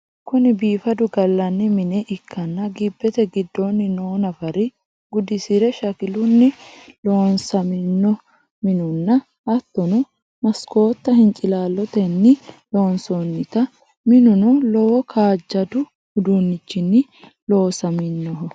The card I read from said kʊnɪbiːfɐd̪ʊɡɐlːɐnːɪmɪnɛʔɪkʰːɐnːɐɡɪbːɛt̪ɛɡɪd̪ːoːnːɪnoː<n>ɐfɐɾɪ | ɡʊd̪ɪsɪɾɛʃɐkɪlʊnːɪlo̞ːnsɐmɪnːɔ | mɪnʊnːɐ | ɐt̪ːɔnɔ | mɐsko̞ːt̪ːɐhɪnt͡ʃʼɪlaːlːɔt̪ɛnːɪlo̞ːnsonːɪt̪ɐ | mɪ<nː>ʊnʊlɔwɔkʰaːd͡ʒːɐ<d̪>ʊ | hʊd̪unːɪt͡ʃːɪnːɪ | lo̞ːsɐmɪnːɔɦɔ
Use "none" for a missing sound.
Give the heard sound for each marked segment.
n, n, d̪

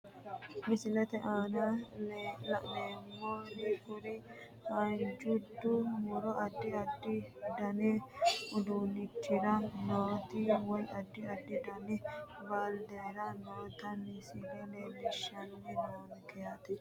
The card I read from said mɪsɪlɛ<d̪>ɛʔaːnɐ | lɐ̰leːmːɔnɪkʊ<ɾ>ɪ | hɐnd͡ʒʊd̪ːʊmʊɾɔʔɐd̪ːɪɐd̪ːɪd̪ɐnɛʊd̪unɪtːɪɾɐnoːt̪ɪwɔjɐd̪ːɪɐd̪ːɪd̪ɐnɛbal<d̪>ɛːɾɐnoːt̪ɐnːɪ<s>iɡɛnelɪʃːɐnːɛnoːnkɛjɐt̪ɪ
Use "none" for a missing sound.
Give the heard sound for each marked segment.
t̪, ɾ, d̪, s

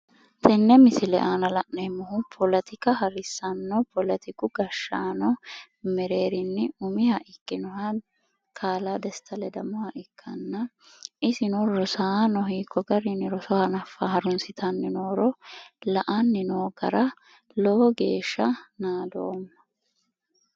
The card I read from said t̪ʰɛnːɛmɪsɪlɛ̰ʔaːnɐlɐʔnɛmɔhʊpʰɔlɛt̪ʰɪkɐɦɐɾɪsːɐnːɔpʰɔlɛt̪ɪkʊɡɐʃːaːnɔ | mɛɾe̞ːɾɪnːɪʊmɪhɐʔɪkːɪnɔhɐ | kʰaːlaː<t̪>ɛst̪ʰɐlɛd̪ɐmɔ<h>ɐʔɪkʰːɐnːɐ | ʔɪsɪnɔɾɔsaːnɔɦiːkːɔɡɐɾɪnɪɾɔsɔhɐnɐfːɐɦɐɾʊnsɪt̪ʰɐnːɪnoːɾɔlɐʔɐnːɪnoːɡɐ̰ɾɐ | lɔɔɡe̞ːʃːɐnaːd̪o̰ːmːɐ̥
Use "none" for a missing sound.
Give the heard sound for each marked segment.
d̪, h

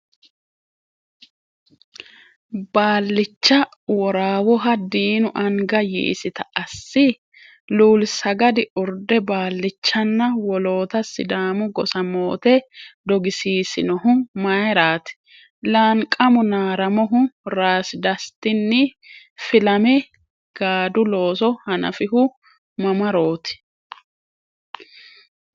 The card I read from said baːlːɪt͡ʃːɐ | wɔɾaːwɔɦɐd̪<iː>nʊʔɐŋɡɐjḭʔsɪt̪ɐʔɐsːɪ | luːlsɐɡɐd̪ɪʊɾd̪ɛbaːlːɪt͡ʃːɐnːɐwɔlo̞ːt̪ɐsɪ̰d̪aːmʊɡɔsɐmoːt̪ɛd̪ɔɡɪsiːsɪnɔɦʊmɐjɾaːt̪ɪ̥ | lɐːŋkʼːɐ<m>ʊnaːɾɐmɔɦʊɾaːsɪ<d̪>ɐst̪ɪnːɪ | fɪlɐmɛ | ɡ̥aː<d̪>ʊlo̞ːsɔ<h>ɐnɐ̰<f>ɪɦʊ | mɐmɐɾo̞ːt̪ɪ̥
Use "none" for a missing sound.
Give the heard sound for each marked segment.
iː, m, d̪, d̪, h, f

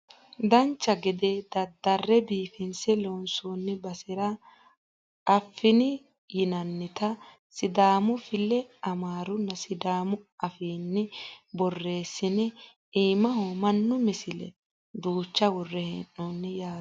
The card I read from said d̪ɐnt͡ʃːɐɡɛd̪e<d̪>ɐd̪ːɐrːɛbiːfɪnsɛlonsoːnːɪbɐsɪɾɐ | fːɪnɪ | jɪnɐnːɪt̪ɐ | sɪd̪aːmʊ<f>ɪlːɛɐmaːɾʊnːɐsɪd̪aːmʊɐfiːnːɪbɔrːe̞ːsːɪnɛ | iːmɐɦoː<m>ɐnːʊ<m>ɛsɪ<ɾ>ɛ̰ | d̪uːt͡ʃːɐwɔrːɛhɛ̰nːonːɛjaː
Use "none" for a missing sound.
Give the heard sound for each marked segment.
d̪, f, m, m, l

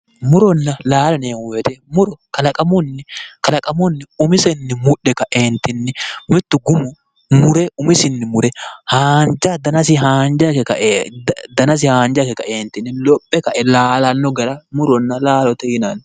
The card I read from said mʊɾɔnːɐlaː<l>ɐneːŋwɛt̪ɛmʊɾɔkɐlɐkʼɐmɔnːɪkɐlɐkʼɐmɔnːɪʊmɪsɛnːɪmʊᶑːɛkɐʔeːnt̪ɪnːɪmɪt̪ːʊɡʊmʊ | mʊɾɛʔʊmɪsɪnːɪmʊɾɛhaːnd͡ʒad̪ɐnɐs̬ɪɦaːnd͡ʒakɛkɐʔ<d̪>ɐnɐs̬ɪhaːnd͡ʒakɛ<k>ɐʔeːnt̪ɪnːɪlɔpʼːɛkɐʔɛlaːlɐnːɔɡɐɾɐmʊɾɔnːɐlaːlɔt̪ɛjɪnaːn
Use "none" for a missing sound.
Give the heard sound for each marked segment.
l, d̪, k

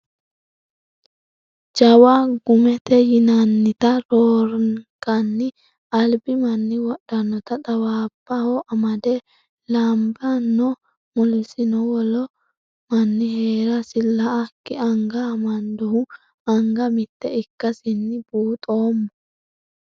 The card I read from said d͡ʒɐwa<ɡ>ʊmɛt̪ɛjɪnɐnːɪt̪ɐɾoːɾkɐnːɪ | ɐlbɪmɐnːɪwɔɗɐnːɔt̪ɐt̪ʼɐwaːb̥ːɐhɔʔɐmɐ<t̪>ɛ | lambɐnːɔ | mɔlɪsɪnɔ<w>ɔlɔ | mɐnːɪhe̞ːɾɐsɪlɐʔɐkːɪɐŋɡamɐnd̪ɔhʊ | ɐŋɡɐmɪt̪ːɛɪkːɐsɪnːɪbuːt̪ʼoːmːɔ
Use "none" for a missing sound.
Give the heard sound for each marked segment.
ɡ, d̪, w

